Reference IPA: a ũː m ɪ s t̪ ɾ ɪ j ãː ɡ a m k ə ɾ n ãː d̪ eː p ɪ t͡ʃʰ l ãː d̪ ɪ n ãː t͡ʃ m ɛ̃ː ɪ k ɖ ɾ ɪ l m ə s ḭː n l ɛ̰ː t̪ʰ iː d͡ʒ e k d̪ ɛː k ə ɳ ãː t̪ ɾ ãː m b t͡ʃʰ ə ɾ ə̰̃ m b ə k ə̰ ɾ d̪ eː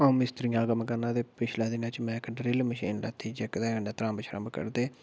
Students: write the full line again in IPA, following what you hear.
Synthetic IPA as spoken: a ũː m ɪ s t̪ ɾ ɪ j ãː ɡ ə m k ə ɾ n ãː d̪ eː p ɪ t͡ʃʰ l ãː d̪ ɪ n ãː t͡ʃ m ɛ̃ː ɪ k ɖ ɾ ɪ l m ə ʃ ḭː n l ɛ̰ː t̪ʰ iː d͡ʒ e k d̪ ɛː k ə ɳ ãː t̪ ɾ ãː m b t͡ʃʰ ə ɾ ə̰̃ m b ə k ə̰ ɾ d̪ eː